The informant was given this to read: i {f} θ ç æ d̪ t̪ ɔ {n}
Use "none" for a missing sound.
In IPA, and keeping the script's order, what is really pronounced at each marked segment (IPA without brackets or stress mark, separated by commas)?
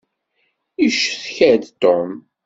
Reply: ʃ, m